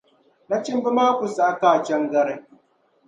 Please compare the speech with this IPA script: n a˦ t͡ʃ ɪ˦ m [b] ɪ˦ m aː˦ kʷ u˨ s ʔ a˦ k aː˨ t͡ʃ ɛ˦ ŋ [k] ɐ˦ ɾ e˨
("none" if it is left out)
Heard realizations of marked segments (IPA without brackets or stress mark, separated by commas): b, ɡ